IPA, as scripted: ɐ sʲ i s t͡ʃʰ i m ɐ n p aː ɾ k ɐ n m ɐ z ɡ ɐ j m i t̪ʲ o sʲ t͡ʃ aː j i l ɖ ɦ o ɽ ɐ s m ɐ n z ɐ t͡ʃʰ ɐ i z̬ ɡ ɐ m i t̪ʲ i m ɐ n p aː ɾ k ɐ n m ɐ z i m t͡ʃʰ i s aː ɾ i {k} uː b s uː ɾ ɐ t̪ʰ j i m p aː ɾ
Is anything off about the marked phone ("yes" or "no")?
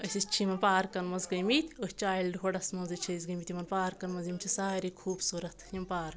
yes